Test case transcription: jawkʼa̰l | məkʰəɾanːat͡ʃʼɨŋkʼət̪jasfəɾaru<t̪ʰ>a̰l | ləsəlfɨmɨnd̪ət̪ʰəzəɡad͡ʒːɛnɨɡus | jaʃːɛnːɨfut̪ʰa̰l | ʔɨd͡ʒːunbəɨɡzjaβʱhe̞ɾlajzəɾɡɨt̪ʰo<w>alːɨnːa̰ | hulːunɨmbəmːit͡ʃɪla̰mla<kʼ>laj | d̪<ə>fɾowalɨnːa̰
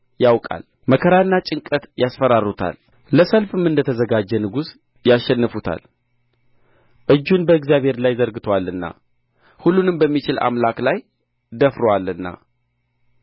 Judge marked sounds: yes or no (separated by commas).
yes, yes, no, yes